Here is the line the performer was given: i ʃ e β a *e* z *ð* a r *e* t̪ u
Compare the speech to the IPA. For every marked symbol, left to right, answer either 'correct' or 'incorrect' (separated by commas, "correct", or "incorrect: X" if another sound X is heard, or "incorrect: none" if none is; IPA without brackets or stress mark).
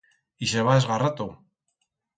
correct, incorrect: ɣ, incorrect: a